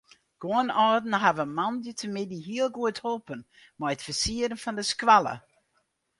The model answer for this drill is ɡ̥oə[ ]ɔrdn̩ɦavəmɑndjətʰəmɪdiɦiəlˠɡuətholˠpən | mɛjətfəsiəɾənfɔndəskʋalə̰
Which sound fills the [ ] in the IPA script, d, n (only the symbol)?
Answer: n